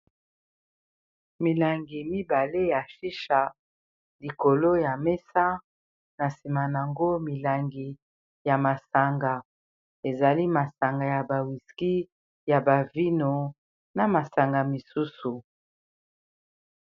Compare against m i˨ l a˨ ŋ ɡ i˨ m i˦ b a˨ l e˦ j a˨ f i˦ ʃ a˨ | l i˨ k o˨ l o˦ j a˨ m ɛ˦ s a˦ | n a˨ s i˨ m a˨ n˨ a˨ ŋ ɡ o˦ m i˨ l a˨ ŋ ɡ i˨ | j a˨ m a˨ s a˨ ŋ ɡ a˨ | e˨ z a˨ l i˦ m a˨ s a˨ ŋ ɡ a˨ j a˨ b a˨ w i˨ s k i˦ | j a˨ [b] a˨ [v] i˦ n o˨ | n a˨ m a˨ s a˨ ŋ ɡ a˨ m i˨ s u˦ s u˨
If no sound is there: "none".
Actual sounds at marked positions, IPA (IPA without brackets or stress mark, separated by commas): b, v